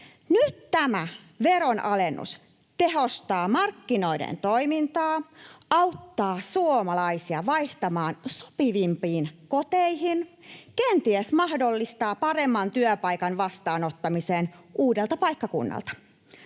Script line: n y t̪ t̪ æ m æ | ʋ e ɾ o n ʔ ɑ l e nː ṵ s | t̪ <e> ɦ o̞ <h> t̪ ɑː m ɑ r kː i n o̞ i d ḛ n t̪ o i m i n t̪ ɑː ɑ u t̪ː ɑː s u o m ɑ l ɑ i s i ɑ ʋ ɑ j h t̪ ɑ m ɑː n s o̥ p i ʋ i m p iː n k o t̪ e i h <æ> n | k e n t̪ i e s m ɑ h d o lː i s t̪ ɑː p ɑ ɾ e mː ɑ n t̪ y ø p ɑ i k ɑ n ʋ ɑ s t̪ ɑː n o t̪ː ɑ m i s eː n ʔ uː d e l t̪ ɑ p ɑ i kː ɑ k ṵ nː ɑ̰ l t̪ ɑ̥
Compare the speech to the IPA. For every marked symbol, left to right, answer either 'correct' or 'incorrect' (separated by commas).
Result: correct, incorrect, incorrect